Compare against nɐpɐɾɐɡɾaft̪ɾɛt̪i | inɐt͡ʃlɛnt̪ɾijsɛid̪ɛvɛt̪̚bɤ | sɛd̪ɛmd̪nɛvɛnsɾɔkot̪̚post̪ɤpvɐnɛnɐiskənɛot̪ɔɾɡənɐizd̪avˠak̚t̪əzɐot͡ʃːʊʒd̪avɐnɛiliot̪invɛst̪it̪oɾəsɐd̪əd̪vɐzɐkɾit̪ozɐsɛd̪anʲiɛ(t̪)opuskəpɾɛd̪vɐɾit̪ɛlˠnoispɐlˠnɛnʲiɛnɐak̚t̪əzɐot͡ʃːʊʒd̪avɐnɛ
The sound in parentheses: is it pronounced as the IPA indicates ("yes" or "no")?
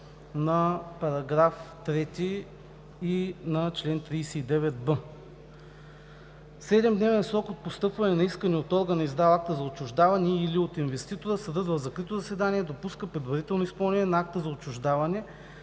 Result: no